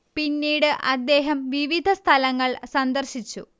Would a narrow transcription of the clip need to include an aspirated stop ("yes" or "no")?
yes